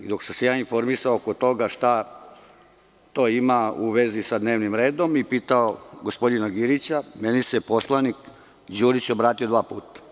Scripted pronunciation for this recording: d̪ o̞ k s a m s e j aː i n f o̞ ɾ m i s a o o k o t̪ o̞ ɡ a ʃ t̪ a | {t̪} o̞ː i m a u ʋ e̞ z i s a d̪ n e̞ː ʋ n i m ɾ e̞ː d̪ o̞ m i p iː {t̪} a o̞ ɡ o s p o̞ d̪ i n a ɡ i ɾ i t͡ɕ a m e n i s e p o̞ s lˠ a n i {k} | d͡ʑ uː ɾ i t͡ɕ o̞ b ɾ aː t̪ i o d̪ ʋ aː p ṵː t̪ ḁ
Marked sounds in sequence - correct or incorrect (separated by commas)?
correct, correct, correct